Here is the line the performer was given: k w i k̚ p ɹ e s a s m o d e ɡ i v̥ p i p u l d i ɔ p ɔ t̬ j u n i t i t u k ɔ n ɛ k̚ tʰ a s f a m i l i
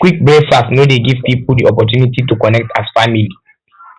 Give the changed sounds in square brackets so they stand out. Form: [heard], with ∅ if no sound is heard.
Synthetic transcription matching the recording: k w i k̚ [b] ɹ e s a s [n] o d e ɡ i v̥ p i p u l d i ɔ p ɔ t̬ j u n i t i t u k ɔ n ɛ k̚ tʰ a s f a m i l i